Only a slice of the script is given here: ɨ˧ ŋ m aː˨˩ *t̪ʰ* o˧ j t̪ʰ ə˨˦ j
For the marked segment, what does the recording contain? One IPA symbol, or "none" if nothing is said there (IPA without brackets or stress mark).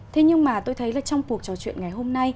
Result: t̪